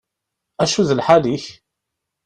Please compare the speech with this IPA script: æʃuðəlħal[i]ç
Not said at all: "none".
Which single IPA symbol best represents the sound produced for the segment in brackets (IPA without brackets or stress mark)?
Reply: i